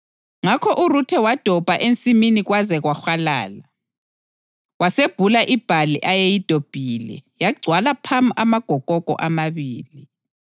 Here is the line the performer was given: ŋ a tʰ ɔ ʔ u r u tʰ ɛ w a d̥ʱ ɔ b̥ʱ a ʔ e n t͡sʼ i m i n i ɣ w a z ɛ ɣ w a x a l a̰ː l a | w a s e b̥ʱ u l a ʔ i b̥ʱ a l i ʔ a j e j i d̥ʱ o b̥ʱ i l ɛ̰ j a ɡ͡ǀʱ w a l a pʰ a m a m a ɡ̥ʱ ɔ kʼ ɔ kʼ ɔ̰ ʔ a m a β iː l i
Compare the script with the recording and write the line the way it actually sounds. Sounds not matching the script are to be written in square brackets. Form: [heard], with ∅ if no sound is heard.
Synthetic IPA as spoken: ŋ a [kʰ] ɔ ʔ u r u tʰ ɛ w a d̥ʱ ɔ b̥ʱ a ʔ e n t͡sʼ i m i n i ɣ w a z ɛ ɣ w a x a l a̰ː l a | w a s e b̥ʱ u l a ʔ i b̥ʱ a l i ʔ a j e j i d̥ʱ o b̥ʱ i l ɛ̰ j a ɡ͡ǀʱ w a l a pʰ a m a m a ɡ̥ʱ ɔ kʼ ɔ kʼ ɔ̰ ʔ a m a β iː l i

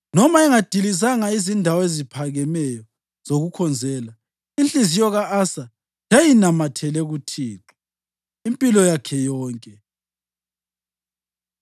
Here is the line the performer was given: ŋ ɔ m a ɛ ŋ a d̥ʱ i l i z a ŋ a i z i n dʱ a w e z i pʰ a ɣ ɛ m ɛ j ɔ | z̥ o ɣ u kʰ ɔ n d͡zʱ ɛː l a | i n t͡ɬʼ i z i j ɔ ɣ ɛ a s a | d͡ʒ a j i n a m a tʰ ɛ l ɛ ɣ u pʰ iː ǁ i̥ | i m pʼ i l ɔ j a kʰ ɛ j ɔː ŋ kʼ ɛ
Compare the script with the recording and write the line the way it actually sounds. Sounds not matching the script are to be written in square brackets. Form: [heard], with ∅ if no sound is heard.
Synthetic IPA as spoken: [n] ɔ m a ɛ ŋ a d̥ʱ i l i z a ŋ a i z i n dʱ a w e z i pʰ a ɣ ɛ m ɛ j ɔ | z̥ o ɣ u kʰ ɔ n d͡zʱ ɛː l a | i n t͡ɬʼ i z i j ɔ ɣ [a] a s a | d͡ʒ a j i n a m a tʰ ɛ l ɛ ɣ u [tʰ] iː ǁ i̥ | i m pʼ i l ɔ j a kʰ ɛ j ɔː ŋ kʼ ɛ

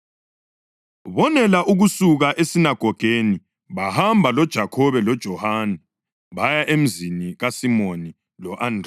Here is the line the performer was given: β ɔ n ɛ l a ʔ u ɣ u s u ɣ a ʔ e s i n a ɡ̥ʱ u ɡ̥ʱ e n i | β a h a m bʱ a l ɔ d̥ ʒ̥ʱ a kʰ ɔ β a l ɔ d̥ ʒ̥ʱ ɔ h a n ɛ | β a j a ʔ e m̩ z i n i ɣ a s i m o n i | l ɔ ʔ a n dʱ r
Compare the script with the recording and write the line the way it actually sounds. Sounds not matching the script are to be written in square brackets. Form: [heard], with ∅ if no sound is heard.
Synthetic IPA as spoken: β ɔ n ɛ l a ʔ u ɣ u s u ɣ a ʔ e s i n a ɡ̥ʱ [ɔ] ɡ̥ʱ e n i | β a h a m bʱ a l ɔ d̥ ʒ̥ʱ a kʰ ɔ β [ɛ] l ɔ d̥ ʒ̥ʱ ɔ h a n ɛ | β a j a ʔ e m̩ z i n i ɣ a s i m o n i | l ɔ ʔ a n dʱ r

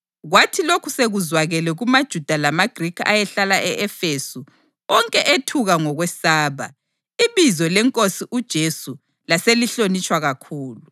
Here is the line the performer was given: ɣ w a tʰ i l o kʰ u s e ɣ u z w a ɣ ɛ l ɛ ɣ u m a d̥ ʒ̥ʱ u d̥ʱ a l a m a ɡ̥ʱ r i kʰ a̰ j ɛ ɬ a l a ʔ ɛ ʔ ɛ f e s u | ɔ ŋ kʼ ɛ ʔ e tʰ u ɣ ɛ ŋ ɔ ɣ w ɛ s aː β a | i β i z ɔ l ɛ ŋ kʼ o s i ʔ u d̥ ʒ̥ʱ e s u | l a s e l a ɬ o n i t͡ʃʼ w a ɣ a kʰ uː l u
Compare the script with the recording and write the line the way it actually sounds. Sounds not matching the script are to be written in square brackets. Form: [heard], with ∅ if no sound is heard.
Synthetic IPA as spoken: ɣ w a tʰ i l o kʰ u s e ɣ u z w a ɣ ɛ l ɛ ɣ u m a d̥ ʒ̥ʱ u d̥ʱ a l a m a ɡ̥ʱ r i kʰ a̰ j ɛ ɬ a l a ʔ ɛ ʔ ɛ f e s u | ɔ ŋ kʼ ɛ ʔ e tʰ u ɣ [a] ŋ ɔ ɣ w ɛ s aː β a | i β i z ɔ l ɛ ŋ kʼ o s i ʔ u d̥ ʒ̥ʱ e s u | l a s e l [i] ɬ o n i t͡ʃʼ w a ɣ a kʰ uː l u

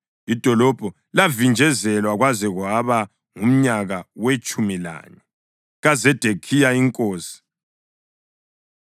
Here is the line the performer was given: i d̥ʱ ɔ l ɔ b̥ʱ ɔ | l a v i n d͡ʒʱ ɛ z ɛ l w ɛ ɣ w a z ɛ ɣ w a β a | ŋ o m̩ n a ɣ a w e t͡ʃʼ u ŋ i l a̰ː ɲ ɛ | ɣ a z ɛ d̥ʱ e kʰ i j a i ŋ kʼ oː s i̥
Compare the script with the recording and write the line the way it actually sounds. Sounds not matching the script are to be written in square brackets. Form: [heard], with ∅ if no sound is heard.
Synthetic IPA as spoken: i d̥ʱ ɔ l ɔ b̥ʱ ɔ | l a v i n d͡ʒʱ ɛ z ɛ l w [a] ɣ w a z ɛ ɣ w a β a | ŋ [u] m̩ [ɲ] a ɣ a w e t͡ʃʼ u [m] i l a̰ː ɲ ɛ | ɣ a z ɛ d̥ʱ e kʰ i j a i ŋ kʼ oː s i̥

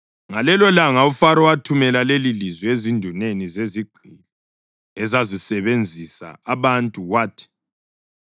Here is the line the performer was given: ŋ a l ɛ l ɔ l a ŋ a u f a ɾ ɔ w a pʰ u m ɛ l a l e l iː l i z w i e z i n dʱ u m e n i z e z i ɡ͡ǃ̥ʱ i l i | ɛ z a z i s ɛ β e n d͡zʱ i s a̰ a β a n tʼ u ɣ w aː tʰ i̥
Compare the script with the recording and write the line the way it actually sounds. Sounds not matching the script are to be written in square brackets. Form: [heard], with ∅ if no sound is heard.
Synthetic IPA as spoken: ŋ a l ɛ l ɔ l a ŋ a u f a ɾ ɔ w a [tʰ] u m ɛ l a l e l [i] l i z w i e z i n dʱ u [n] e n i z e z i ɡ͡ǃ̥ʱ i l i | ɛ z a z i s ɛ β e n d͡zʱ i s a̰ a β a n tʼ u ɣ w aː tʰ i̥

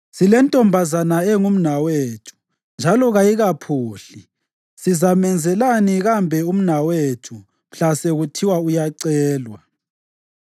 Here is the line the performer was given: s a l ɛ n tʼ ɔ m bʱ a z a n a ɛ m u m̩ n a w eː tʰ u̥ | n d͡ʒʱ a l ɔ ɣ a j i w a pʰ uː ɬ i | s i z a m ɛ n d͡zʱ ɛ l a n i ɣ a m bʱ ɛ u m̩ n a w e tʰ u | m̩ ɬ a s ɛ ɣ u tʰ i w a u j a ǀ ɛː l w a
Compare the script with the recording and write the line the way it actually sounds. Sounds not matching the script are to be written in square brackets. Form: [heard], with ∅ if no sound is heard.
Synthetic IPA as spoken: s [i] l ɛ n tʼ ɔ m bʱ a z a n a ɛ [ŋ] u m̩ n a w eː tʰ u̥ | n d͡ʒʱ a l ɔ ɣ a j i [ɣ] a pʰ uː ɬ i | s i z a m ɛ n d͡zʱ ɛ l a n i ɣ a m bʱ ɛ u m̩ n a w e tʰ u | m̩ ɬ a s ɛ ɣ u tʰ i w a u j a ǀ ɛː l w a

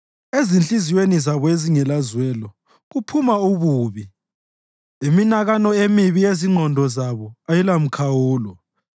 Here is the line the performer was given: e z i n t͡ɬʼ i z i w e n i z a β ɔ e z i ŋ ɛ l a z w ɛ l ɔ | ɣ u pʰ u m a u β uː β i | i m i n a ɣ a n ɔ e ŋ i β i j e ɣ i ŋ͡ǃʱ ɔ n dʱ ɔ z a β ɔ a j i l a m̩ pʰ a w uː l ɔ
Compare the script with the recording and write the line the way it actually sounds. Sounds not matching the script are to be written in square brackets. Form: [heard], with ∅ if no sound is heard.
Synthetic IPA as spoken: e z i n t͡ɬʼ i z i w e n i z a β ɔ e z i ŋ ɛ l a z w ɛ l ɔ | ɣ u pʰ u m a u β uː β i | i m i n a ɣ a n ɔ e [m] i β i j e [z] i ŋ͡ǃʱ ɔ n dʱ ɔ z a β ɔ a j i l a m̩ [kʰ] a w uː l ɔ

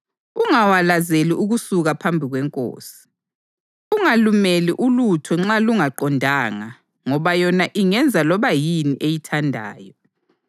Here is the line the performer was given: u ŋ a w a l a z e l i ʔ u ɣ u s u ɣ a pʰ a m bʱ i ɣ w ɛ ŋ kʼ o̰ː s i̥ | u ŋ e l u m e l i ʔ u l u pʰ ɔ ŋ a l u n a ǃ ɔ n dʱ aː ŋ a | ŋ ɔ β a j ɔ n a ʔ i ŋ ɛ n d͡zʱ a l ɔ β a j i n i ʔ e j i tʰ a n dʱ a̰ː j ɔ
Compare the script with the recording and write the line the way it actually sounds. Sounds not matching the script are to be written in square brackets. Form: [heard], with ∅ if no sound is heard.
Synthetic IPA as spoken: u ŋ a w a l a z e l i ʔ u ɣ u s u ɣ a pʰ a m bʱ i ɣ w ɛ ŋ kʼ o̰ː s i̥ | u ŋ [a] l u m e l i ʔ u l u [tʰ] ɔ [ŋ͡ǁ] a l u [ŋ] a ǃ ɔ n dʱ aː ŋ a | ŋ ɔ β a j ɔ n a ʔ i ŋ ɛ n d͡zʱ a l ɔ β a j i n i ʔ e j i tʰ a n dʱ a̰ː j ɔ

